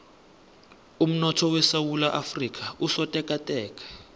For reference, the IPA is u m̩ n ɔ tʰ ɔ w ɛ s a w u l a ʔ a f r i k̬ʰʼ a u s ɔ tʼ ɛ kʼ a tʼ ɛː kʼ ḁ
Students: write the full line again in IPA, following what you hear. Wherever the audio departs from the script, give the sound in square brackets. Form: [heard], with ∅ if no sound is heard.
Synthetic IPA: u m̩ n ɔ tʰ ɔ w ɛ s a w u l a ʔ a f r i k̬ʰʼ a u s ɔ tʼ ɛ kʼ a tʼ ɛː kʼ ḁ

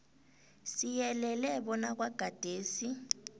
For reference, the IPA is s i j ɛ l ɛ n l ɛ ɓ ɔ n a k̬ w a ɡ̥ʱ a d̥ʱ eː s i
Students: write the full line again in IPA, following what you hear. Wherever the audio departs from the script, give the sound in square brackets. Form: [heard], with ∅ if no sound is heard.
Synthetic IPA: s i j ɛ l ɛ [∅] l ɛ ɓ ɔ n a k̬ w a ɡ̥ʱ a d̥ʱ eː s i

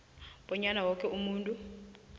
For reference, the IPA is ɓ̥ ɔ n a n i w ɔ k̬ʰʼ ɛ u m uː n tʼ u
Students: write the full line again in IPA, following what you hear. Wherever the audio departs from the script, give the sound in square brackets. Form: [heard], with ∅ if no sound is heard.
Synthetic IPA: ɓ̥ ɔ [ɲ] a n [a] w ɔ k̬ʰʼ ɛ u m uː n tʼ u

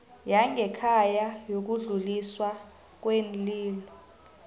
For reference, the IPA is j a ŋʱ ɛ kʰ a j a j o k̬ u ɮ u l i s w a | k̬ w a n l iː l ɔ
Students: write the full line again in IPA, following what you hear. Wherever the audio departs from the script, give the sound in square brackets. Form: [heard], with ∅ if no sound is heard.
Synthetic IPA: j a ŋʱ ɛ kʰ a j a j o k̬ u ɮ u l i s w a | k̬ w [e] n l iː l ɔ

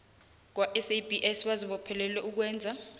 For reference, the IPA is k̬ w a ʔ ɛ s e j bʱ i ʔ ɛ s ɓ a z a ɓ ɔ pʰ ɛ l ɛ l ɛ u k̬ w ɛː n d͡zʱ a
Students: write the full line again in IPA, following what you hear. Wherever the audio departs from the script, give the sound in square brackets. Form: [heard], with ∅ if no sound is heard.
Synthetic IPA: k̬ w a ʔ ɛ s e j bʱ i ʔ ɛ s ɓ a z [i] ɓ ɔ pʰ ɛ l ɛ l ɛ u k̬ w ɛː n d͡zʱ a

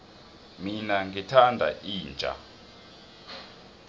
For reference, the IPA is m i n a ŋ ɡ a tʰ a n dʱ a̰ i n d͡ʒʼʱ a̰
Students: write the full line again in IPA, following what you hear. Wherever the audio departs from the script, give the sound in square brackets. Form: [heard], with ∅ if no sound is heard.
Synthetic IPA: m i n a ŋ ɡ [i] tʰ a n dʱ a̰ [iː] n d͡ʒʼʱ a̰

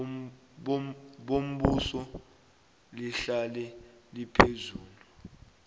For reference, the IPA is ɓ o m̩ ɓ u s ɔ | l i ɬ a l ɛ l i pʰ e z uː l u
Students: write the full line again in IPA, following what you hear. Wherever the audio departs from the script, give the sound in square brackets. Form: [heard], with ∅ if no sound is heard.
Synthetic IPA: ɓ o m̩ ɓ u s ɔ | l i ɬ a l ɛ l i pʰ e z uː l u

